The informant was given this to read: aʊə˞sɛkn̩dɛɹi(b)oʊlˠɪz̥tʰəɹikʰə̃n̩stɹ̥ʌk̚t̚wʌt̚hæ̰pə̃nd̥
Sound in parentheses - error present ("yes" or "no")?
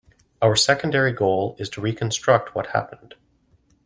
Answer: yes